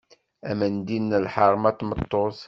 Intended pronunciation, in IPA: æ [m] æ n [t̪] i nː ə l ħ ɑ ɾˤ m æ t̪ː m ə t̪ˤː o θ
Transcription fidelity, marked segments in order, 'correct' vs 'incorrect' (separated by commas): correct, incorrect